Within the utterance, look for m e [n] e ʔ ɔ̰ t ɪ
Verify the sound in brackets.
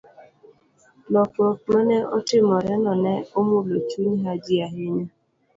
correct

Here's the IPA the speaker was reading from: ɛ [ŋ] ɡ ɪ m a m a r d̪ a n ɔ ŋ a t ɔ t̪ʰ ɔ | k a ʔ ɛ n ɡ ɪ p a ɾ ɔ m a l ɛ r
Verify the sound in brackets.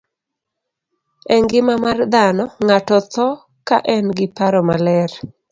correct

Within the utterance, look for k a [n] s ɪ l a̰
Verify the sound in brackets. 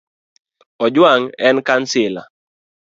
correct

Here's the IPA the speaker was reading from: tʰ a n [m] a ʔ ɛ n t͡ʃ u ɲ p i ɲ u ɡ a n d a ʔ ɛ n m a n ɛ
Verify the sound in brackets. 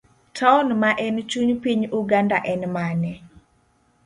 correct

